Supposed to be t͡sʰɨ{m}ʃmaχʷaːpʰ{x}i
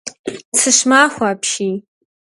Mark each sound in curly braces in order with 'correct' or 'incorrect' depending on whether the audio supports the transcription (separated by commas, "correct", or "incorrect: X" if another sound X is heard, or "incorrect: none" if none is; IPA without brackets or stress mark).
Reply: incorrect: none, incorrect: ʃ